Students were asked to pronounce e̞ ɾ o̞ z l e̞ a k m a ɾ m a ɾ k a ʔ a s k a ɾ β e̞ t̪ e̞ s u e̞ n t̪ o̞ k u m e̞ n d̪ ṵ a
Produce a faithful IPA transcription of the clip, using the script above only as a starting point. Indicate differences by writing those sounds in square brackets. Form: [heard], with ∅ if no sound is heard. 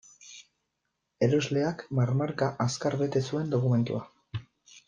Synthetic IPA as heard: e̞ ɾ o̞ z l e̞ a k m a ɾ m a ɾ k a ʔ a s k a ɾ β e̞ t̪ e̞ s u e̞ n [d̪] o̞ k u m e̞ n [t̪] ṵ a